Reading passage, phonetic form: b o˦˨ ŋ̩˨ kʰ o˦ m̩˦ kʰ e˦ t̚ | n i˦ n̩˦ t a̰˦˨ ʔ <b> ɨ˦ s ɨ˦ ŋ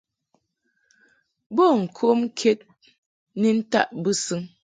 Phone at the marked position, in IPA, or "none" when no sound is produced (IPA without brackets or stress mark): b